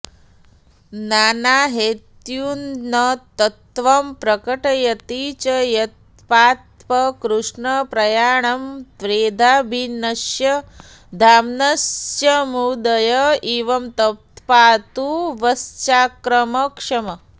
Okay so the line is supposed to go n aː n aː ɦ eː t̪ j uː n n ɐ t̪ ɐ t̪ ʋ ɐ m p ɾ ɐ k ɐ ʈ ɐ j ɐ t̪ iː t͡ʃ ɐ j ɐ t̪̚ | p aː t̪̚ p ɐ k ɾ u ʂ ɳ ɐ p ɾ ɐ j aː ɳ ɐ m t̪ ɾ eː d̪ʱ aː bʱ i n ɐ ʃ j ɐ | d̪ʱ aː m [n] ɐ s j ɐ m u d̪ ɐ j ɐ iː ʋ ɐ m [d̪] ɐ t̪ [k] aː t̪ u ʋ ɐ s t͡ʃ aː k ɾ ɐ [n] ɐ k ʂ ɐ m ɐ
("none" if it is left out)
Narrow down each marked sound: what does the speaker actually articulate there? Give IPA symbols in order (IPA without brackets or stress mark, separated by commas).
n, t̪, p, m